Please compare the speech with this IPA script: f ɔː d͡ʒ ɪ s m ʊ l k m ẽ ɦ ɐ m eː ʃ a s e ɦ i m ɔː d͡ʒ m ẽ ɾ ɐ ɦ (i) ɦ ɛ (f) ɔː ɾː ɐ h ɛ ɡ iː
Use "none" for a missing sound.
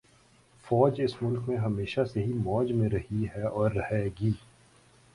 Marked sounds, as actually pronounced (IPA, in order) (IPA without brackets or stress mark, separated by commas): i, none